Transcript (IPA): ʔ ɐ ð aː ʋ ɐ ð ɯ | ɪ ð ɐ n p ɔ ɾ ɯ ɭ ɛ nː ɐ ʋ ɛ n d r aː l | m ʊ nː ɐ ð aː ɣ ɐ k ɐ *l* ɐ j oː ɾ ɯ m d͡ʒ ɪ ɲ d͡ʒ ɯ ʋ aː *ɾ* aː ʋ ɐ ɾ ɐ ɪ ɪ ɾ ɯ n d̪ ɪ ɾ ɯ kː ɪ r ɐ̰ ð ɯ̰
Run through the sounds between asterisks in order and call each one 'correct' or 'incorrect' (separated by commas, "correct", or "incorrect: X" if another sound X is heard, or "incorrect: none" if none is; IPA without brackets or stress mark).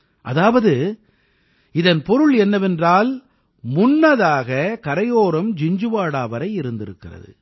incorrect: ɾ, incorrect: ɽ